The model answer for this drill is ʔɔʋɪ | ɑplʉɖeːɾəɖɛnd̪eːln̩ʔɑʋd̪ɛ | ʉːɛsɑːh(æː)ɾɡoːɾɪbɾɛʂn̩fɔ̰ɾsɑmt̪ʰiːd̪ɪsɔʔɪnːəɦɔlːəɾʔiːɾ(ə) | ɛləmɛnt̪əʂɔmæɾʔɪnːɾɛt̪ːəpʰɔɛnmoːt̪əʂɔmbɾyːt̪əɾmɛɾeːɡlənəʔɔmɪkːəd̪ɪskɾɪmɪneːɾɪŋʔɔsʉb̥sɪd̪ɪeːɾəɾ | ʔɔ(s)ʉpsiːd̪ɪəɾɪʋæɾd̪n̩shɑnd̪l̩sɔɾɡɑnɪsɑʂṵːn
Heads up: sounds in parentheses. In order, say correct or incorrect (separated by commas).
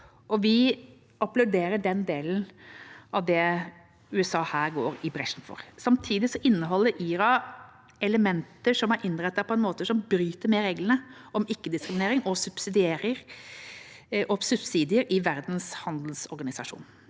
correct, incorrect, correct